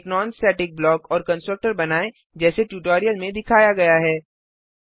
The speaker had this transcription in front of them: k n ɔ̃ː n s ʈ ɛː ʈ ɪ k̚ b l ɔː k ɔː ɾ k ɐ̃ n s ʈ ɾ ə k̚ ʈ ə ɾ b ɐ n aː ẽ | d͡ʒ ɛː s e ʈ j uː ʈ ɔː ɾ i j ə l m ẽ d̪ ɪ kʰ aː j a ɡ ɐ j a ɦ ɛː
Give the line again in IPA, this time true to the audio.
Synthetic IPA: k n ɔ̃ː n s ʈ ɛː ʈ ɪ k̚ b l ɔː k ɔː ɾ k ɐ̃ n s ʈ ɾ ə k̚ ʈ ə ɾ b ɐ n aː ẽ | d͡ʒ ɛː s e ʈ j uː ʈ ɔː ɾ i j ə l m ẽ d̪ ɪ kʰ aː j a ɡ ɐ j a ɦ ɛː